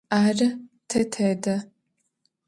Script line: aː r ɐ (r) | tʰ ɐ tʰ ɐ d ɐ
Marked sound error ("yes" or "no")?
yes